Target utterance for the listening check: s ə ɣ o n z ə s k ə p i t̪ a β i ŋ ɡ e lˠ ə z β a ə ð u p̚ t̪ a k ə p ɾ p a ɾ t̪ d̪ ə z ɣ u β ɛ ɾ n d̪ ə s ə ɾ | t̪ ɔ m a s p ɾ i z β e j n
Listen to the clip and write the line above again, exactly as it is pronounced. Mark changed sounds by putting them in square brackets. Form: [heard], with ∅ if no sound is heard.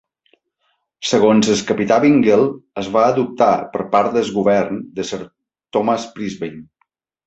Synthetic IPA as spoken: s ə ɣ o n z ə s k ə p i t̪ a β i ŋ ɡ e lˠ ə z β a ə ð u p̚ t̪ a [p] ə [∅] ɾ p a ɾ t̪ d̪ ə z ɣ u β ɛ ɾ n d̪ ə s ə ɾ | t̪ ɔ m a s p ɾ i z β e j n